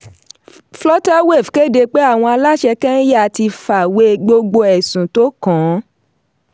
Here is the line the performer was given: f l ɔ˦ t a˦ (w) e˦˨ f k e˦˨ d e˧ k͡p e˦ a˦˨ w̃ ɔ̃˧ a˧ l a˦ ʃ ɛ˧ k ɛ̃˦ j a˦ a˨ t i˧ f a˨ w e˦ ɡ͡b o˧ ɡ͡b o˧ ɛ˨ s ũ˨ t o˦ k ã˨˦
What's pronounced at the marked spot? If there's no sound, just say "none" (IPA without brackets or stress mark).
w